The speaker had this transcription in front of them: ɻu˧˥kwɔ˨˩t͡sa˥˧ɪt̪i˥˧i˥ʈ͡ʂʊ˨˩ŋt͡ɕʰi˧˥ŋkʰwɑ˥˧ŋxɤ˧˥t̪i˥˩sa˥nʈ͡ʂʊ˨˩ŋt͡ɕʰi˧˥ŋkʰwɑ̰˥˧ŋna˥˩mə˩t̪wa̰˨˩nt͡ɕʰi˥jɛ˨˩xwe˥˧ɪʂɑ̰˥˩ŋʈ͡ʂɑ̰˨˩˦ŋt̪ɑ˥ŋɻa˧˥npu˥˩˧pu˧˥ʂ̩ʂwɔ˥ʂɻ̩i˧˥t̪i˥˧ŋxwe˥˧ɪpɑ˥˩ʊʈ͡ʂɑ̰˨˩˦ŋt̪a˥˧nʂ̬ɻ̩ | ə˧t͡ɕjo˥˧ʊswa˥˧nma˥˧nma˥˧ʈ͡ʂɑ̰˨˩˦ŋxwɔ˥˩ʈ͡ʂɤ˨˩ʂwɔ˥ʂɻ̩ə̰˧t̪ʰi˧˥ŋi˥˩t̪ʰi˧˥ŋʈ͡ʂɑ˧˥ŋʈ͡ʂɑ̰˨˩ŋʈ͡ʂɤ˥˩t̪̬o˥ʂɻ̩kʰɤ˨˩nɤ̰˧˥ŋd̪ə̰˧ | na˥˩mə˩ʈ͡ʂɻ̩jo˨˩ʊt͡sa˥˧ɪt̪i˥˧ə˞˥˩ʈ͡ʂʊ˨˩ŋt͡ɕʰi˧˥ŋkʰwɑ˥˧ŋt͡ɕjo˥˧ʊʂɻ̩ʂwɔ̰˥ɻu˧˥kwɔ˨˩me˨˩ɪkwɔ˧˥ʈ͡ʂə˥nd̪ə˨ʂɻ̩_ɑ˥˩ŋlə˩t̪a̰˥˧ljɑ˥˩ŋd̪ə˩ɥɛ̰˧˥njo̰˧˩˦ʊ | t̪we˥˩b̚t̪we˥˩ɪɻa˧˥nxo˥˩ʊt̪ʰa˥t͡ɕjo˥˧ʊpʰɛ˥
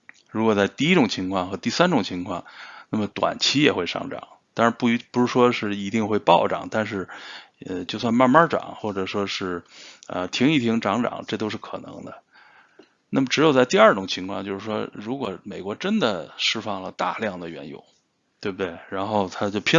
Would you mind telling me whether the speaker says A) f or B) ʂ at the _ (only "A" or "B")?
A